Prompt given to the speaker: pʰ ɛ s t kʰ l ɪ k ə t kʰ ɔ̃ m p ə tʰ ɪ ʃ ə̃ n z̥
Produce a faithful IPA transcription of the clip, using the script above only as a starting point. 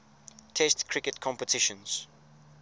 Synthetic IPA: tʰ ɛ s t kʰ ɹ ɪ k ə t kʰ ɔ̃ m p ə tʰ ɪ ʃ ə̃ n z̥